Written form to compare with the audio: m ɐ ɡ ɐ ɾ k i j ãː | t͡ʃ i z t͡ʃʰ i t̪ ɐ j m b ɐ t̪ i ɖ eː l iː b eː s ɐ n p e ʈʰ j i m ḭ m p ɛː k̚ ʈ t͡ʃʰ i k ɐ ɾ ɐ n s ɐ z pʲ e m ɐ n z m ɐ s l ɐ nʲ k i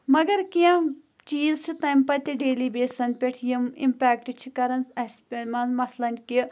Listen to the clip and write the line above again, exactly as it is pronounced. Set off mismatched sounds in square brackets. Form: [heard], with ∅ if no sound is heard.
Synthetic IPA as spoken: m ɐ ɡ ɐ ɾ k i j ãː | t͡ʃ [iː] z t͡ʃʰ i t̪ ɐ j m [p] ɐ t̪ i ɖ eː l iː b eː s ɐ n p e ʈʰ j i m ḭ m p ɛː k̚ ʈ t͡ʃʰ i k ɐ ɾ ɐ n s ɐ [s] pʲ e m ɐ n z m ɐ s l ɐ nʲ k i